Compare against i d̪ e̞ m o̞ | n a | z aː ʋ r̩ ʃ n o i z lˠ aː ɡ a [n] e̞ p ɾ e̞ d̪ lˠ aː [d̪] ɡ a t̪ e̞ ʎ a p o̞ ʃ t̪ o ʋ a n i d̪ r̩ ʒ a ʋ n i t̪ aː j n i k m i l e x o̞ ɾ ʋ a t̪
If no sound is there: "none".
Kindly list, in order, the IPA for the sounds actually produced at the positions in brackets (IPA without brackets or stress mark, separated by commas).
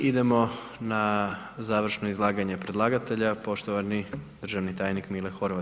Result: ɲ, none